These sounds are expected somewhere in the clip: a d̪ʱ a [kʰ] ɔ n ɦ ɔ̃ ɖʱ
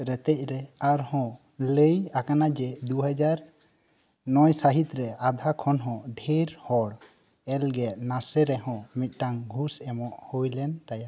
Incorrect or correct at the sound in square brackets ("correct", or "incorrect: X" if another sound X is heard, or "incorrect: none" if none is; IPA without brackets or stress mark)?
correct